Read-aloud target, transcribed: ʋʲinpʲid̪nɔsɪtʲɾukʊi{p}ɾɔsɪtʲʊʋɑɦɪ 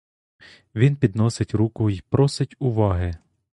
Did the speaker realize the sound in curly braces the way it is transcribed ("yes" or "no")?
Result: yes